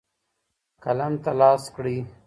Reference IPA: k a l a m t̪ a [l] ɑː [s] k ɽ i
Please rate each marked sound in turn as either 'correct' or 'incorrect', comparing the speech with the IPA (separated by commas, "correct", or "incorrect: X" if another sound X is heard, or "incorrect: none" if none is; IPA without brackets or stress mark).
correct, correct